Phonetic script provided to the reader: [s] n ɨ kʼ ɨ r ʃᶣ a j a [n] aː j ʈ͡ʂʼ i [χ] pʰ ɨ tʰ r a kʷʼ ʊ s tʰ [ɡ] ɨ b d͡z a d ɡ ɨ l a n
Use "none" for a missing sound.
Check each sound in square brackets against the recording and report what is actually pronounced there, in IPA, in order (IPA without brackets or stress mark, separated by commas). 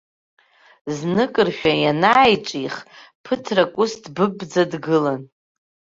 z, n, χ, b